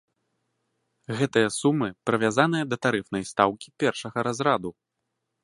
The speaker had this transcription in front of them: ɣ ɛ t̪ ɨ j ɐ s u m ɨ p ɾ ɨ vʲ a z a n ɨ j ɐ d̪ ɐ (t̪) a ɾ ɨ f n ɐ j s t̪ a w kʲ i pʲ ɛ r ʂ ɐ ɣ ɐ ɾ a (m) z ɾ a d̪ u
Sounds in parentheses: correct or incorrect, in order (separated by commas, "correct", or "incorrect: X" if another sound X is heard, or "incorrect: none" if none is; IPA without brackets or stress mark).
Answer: correct, incorrect: none